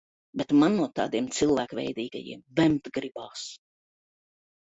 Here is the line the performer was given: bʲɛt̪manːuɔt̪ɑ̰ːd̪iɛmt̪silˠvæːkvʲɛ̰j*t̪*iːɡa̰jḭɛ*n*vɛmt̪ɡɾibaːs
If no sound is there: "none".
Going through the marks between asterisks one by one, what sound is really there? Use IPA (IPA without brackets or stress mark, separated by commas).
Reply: d̪, m